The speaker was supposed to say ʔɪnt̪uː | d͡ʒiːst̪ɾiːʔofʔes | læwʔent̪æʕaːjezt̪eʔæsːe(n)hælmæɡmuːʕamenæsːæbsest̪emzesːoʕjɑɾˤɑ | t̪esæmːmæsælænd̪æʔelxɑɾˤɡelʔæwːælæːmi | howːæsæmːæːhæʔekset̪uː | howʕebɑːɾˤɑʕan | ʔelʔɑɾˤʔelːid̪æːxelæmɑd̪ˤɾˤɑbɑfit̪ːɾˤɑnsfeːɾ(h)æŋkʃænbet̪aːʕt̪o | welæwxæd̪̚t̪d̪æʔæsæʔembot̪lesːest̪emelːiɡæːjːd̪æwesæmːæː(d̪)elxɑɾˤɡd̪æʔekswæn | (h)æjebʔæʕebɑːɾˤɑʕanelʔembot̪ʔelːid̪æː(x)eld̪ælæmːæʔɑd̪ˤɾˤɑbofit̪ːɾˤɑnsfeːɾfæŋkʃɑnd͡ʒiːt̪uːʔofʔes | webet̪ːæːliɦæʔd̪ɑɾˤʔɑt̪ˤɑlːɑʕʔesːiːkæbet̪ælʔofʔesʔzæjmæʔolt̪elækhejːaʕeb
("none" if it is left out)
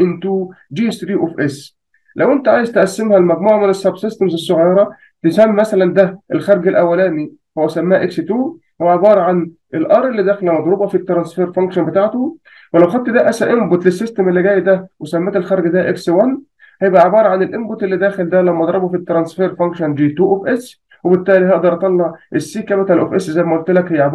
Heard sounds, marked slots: m, f, t̪, h, x

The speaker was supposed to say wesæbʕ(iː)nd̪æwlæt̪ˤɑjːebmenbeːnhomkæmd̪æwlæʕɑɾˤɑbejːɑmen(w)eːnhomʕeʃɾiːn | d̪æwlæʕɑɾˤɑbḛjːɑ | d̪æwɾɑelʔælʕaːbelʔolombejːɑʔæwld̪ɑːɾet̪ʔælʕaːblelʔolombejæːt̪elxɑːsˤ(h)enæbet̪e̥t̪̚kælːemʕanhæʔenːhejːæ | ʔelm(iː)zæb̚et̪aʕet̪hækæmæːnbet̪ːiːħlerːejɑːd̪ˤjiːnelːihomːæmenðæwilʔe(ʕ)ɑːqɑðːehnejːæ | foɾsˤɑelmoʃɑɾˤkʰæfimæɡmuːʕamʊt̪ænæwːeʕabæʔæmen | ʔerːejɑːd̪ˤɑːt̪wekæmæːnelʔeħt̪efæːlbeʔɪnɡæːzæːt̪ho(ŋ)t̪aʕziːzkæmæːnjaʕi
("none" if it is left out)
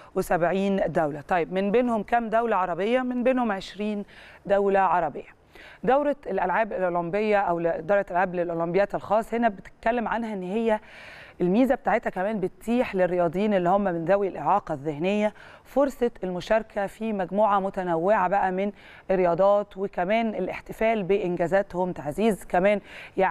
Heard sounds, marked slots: iː, b, h, iː, ʕ, m

